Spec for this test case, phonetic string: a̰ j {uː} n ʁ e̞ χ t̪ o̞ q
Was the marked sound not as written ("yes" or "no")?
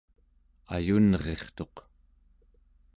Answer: yes